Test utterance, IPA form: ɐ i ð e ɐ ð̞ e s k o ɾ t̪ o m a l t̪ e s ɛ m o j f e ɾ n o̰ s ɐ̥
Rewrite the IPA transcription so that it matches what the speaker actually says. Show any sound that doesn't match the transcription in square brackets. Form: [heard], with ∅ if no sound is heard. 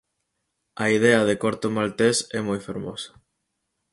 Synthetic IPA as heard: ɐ i ð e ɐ ð̞ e [∅] k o ɾ t̪ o m a l t̪ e s ɛ m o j f e ɾ [m] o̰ s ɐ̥